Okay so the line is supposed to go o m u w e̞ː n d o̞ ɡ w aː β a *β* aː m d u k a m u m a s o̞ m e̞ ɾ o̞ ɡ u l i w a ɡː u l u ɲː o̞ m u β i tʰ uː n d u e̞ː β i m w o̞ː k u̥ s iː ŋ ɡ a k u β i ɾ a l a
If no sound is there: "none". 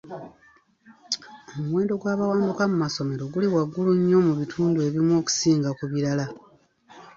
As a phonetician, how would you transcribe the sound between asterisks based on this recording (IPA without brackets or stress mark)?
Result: w